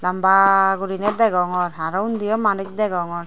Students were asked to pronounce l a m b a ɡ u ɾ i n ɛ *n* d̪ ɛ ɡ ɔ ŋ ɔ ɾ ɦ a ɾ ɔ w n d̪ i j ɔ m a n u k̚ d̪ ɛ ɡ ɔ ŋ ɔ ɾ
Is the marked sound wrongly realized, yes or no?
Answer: yes